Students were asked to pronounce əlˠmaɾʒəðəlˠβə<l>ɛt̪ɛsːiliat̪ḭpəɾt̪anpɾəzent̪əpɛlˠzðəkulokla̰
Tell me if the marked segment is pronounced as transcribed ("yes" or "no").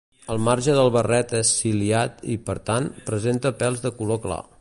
no